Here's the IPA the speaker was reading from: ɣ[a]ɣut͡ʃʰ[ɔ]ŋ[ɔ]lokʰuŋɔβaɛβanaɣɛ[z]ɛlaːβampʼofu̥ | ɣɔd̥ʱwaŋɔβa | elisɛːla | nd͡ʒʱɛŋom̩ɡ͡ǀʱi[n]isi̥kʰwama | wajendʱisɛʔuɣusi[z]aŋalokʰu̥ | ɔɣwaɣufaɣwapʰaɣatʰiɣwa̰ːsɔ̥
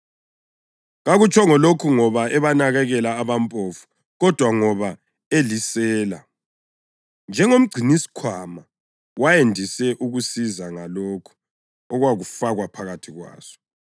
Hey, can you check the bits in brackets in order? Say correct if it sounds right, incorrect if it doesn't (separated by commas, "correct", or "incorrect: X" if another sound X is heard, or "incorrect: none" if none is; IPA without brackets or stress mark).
correct, correct, correct, incorrect: ɣ, correct, correct